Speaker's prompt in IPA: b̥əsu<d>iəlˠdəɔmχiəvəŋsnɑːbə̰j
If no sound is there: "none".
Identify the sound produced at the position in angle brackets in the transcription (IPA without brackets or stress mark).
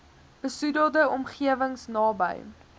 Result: d